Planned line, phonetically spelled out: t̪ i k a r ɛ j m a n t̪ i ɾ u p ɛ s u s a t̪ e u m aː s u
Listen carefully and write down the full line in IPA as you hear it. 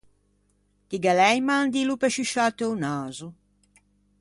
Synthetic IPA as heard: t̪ i ɡ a l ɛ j m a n d̪ i l u p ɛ ʃ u ʃ a t̪ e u n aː z u